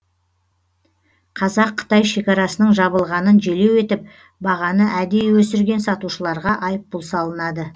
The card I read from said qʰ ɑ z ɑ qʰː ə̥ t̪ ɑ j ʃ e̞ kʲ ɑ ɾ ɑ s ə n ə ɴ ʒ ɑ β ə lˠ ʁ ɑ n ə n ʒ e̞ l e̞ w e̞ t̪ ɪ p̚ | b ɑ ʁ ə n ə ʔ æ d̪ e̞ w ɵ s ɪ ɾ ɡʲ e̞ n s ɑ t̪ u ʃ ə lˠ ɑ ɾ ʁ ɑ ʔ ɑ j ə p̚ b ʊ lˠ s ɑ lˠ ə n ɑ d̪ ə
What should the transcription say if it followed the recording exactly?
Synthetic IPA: qʰ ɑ z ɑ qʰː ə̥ t̪ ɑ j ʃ e̞ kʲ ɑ ɾ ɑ s ə n ə ɴ ʒ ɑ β ə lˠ ʁ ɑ n ə n ʒ e̞ l e̞ w e̞ t̪ ɪ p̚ | b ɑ ʁ ɑ n ə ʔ æ d̪ e̞ w ɵ s ɪ ɾ ɡʲ e̞ n s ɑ t̪ u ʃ ə lˠ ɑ ɾ ʁ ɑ ʔ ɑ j ə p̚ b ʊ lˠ s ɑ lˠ ə n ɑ d̪ ə